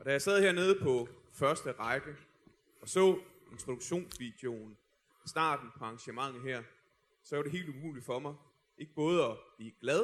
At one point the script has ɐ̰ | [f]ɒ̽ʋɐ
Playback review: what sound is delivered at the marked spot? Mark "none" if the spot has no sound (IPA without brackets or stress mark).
s